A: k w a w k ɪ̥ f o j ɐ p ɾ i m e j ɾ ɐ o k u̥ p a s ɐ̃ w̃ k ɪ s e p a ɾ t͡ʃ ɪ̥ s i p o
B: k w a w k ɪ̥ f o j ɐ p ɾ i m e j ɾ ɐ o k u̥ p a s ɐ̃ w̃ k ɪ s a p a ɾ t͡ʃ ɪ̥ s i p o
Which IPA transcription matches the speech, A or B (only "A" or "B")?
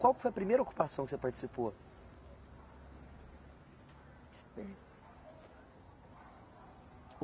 A